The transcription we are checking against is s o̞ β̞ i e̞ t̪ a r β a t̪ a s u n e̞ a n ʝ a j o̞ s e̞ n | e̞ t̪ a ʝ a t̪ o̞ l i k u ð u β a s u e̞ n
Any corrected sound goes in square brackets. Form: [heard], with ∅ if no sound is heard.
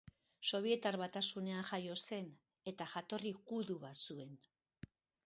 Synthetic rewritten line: s o̞ β̞ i e̞ t̪ a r β a t̪ a s u n e̞ a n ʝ a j o̞ s e̞ n | e̞ t̪ a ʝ a t̪ o̞ [r] i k u ð u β a s u e̞ n